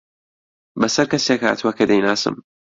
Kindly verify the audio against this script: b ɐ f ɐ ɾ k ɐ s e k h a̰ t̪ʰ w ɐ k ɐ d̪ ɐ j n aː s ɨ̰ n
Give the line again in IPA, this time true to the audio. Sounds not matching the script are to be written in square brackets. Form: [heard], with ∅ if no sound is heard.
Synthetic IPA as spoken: b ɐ [s] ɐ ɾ k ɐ s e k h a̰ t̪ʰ w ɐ k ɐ d̪ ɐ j n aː s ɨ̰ [m]